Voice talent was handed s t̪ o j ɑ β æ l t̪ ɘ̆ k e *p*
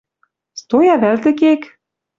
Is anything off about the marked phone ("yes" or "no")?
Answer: yes